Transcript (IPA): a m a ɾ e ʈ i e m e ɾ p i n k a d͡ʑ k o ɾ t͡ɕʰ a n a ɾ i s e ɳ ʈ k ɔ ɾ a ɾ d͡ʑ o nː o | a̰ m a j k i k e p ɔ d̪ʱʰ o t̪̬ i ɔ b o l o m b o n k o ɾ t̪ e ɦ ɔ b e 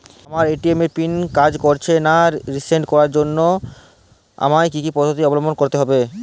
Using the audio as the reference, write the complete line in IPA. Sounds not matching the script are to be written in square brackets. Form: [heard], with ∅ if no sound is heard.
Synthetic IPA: a m a ɾ e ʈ i e m e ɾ p i n k a d͡ʑ k o ɾ t͡ɕʰ [e] n a ɾ i s e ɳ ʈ k ɔ ɾ a ɾ d͡ʑ o nː o | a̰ m a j k i k [i] p ɔ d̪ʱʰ o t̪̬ i ɔ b o l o m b o n k o ɾ t̪ e ɦ ɔ b e